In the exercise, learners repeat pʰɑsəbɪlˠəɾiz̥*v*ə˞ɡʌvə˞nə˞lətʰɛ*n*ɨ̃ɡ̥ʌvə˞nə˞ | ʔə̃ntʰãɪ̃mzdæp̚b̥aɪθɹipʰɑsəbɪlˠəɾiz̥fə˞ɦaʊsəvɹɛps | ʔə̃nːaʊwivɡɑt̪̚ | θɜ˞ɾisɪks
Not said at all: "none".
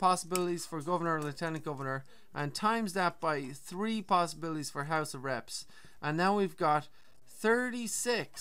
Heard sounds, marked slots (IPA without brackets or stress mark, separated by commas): f, n